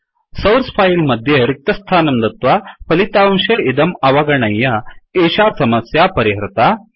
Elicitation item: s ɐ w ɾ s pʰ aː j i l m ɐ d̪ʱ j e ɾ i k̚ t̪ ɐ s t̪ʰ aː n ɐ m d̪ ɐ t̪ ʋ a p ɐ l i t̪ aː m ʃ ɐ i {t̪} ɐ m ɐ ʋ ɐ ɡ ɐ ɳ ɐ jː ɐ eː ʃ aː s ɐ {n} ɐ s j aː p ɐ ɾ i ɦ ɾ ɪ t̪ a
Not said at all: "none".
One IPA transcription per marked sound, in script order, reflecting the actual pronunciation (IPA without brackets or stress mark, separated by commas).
d̪, m